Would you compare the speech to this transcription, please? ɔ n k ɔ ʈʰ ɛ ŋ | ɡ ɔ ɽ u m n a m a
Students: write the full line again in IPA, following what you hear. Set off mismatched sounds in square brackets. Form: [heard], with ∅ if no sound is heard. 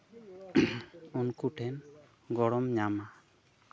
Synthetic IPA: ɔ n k [u] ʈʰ ɛ [n] | ɡ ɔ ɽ [ɔ] m [ɲ] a m a